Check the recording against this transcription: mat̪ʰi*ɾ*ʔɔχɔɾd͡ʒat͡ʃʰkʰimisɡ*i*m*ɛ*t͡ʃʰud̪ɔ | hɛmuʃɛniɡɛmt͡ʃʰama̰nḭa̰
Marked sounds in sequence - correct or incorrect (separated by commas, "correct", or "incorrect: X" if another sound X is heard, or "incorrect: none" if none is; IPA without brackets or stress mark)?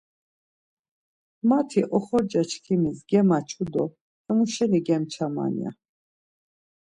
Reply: incorrect: none, incorrect: ɛ, incorrect: a